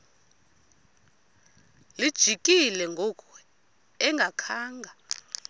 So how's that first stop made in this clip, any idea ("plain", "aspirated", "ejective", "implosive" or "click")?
plain